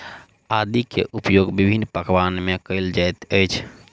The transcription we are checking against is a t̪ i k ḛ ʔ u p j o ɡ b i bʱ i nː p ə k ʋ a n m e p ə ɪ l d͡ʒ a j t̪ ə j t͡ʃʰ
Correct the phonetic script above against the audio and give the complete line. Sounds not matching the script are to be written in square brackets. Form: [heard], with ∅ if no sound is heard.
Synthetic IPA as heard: a [d̪] i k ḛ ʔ u p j o ɡ b i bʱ i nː p ə k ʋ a n m e [k] ə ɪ l d͡ʒ a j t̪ ə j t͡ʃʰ